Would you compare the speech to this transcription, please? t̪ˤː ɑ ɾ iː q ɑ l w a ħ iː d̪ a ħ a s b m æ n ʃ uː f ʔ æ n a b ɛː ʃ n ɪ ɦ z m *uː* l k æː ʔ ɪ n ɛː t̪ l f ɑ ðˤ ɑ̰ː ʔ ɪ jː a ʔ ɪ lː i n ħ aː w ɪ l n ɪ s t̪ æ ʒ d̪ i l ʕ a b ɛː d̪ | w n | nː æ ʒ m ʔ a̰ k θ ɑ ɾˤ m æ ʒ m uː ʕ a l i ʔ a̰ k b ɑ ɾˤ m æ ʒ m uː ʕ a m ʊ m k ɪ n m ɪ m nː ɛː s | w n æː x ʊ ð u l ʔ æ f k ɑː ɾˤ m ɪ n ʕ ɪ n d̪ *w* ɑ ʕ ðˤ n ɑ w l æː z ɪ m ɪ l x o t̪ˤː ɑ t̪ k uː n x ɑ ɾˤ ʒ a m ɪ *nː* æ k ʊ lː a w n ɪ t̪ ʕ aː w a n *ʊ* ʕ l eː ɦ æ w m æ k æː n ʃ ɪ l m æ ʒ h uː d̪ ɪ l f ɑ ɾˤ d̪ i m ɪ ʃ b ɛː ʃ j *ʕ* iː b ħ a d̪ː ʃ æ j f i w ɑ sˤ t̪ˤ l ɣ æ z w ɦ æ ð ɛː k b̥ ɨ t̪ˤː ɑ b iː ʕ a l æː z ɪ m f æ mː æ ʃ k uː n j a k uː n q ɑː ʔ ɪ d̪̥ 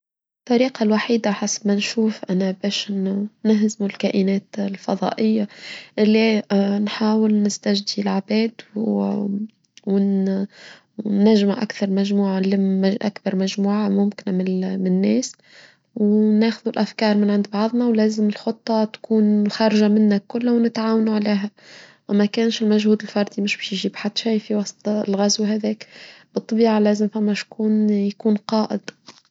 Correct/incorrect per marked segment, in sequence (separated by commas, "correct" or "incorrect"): incorrect, incorrect, correct, incorrect, incorrect